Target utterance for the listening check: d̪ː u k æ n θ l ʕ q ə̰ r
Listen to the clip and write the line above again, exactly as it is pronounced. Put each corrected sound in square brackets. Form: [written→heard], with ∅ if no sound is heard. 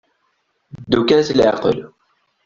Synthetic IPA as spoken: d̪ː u k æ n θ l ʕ q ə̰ [r→l]